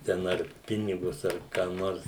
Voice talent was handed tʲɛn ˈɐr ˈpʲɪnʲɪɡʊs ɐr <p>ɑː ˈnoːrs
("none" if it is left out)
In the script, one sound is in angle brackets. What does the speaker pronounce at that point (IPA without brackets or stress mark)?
k